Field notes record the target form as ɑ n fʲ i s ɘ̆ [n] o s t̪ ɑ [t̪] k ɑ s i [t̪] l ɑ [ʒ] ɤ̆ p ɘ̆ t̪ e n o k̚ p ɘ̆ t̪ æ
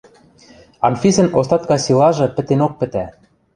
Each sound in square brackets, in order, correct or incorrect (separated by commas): correct, correct, incorrect, correct